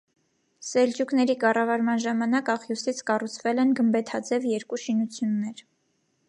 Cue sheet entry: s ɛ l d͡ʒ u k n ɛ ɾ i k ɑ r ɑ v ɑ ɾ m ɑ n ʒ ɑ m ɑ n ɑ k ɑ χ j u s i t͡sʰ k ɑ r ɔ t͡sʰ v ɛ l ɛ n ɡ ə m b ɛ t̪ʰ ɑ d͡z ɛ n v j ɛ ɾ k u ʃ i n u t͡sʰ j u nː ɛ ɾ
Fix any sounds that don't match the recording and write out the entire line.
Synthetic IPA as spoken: s ɛ l d͡ʒ u k n ɛ ɾ i k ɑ r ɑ v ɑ ɾ m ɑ n ʒ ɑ m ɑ n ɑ k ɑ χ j u s i t͡sʰ k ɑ r u t͡sʰ v ɛ l ɛ n ɡ ə m b ɛ t̪ʰ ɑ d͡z ɛ v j ɛ ɾ k u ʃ i n u t͡sʰ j u nː ɛ ɾ